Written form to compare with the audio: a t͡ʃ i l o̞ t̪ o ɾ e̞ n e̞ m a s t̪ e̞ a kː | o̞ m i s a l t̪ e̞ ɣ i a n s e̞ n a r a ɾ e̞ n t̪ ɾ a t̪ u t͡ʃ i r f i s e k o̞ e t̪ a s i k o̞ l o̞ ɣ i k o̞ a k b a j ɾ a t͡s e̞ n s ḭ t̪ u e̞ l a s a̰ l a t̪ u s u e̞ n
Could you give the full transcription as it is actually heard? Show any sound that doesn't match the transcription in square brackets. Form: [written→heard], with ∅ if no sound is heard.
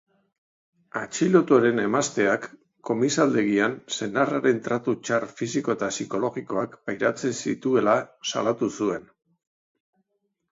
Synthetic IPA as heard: a t͡ʃ i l o̞ t̪ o ɾ e̞ n e̞ m a s t̪ e̞ a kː | o̞ m i s a l [t̪→d̪] e̞ ɣ i a n s e̞ n a r a ɾ e̞ n t̪ ɾ a t̪ u t͡ʃ [i→a] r f i s [e→i] k o̞ e t̪ a s i k o̞ l o̞ ɣ i k o̞ a k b a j ɾ a t͡s e̞ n s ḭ t̪ u e̞ l a s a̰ l a t̪ u s u e̞ n